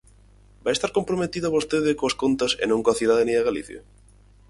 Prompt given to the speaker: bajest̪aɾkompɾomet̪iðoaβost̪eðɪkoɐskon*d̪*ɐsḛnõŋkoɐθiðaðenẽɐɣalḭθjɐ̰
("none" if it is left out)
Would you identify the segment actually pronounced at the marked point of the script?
t̪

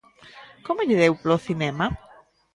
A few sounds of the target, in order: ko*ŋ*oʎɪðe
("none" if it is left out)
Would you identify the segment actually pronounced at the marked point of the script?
m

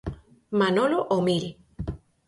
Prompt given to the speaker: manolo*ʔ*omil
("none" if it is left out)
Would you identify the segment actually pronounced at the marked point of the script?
ʔ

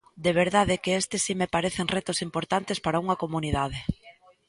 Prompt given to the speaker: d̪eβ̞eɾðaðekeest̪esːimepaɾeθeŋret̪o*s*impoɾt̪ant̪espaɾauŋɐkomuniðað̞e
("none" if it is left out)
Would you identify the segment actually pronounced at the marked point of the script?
s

